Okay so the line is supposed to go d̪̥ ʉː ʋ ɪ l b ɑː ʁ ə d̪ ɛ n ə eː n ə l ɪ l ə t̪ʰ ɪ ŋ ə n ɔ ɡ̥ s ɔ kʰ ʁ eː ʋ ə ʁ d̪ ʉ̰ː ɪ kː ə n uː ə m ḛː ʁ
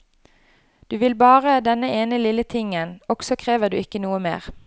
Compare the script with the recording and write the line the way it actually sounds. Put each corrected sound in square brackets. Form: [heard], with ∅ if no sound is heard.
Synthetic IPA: d̪̥ ʉː ʋ ɪ l b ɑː ʁ ə d̪ ɛ n ə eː n ə l ɪ l ə t̪ʰ ɪ ŋ ə n ɔ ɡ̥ s ɔ kʰ ʁ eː ʋ ə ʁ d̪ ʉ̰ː ɪ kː ə n uː ə m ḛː ʁ